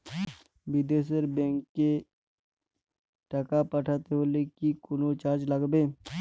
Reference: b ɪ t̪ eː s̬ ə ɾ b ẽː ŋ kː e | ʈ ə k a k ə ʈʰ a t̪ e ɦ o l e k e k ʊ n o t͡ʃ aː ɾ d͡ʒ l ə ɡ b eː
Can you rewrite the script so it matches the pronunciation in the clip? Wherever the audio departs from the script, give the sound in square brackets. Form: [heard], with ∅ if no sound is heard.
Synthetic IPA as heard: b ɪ [d̪] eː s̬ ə ɾ b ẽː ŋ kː e | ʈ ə k a [p] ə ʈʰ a t̪ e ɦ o l e k [i] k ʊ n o t͡ʃ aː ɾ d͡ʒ l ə ɡ b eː